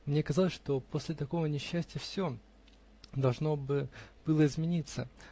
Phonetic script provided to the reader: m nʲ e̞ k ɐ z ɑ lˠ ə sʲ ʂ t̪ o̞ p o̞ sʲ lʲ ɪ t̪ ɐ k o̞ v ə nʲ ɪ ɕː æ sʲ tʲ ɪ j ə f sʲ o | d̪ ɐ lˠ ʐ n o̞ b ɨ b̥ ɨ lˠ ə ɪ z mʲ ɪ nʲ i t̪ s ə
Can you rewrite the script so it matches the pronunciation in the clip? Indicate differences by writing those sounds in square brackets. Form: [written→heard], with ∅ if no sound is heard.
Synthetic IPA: m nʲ e̞ k ɐ z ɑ lˠ ə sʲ ʂ t̪ o̞ p o̞ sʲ lʲ ɪ t̪ ɐ k o̞ v ə nʲ ɪ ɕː æ sʲ tʲ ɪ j ə f sʲ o | d̪ ɐ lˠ ʐ n o̞ b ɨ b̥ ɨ lˠ ə ɪ z mʲ ɪ nʲ i t̪ s ə